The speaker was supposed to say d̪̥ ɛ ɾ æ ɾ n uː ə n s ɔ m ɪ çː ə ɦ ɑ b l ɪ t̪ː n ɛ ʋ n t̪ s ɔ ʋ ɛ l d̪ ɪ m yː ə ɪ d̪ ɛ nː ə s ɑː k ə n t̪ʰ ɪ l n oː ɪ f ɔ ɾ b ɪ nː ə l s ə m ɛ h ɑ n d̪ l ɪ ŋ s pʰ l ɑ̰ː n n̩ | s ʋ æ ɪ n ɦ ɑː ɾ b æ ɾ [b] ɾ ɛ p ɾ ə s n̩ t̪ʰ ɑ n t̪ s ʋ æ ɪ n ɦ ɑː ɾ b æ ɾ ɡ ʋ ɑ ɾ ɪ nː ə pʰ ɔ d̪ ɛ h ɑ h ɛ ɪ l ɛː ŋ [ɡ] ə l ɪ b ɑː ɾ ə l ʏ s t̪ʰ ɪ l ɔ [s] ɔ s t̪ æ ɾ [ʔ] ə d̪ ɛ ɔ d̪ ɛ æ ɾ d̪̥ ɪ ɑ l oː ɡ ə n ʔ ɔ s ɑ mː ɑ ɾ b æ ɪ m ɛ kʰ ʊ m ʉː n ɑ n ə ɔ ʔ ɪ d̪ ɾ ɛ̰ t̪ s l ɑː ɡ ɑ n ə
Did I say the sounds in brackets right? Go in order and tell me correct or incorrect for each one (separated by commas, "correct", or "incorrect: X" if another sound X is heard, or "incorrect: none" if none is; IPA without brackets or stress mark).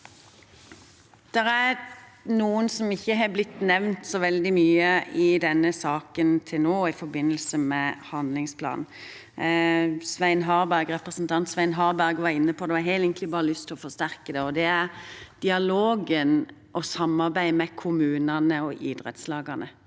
incorrect: ɡ, incorrect: k, incorrect: f, incorrect: k